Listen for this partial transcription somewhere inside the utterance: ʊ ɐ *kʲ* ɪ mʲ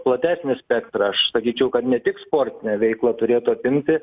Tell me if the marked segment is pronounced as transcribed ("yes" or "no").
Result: no